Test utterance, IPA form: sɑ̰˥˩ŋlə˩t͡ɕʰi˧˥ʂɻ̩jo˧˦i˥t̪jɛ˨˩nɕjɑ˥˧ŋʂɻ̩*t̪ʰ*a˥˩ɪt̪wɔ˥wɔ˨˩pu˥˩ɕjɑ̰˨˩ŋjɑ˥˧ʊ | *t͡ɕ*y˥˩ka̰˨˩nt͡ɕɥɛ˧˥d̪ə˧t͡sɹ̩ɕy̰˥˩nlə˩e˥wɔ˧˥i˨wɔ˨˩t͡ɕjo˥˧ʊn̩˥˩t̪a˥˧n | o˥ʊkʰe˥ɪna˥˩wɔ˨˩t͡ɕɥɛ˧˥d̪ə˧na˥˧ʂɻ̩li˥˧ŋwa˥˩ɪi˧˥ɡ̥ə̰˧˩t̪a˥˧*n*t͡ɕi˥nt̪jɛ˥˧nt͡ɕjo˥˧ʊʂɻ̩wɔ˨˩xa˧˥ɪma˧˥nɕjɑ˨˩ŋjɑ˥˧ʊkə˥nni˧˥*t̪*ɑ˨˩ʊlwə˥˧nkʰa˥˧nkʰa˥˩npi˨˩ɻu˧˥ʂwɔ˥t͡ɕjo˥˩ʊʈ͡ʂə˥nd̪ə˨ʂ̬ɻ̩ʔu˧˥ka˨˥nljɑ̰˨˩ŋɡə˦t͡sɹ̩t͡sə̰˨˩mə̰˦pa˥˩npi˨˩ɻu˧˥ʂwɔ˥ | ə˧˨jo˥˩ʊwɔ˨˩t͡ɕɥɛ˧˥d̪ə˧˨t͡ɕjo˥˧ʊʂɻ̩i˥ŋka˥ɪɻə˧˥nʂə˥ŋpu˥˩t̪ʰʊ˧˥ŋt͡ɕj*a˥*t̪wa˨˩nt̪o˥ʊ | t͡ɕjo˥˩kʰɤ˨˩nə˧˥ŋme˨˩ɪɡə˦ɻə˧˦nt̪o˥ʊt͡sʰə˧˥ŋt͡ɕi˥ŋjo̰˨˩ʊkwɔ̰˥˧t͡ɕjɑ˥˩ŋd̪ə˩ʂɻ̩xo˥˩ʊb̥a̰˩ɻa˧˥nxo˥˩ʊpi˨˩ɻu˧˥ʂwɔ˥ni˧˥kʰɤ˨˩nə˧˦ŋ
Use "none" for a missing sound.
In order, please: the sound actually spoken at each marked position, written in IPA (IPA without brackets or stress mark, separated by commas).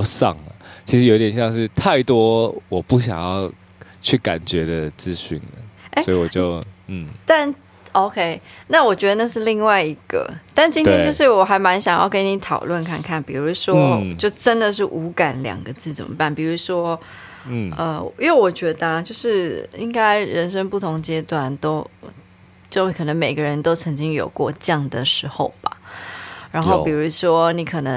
t̪ʰ, t͡ɕʰ, n, t̪ʰ, ɛ˥